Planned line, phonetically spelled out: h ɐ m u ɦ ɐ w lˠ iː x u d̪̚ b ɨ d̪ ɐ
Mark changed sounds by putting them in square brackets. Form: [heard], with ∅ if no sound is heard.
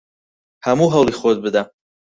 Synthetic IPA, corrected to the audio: h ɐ m u ɦ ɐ w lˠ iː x [o] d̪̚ b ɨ d̪ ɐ